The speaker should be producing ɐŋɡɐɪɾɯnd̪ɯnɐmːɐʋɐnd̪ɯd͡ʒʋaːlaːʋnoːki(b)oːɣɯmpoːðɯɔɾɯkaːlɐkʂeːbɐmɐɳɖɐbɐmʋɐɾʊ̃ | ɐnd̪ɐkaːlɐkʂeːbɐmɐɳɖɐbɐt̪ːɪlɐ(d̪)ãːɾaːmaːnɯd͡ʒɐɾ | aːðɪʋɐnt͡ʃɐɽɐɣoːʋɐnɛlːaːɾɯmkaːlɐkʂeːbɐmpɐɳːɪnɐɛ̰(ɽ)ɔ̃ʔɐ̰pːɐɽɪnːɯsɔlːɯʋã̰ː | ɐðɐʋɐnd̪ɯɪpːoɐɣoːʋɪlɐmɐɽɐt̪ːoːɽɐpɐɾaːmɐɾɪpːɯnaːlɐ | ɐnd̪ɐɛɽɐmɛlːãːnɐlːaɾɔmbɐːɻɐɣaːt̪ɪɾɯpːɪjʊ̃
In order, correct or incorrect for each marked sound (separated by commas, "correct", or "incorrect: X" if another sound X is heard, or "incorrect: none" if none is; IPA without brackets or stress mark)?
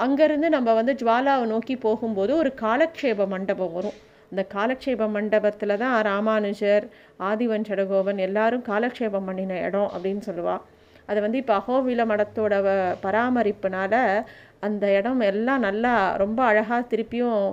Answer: incorrect: p, incorrect: t̪, correct